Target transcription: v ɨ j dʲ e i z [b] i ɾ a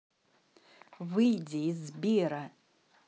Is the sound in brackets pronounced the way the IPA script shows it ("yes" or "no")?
yes